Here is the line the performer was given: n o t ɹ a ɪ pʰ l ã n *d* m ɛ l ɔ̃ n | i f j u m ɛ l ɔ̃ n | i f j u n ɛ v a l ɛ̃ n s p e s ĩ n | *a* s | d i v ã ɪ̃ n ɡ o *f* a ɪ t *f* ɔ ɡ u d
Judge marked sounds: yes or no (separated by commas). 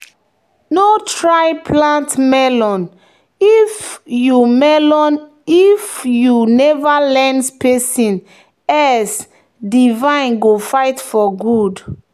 no, no, yes, yes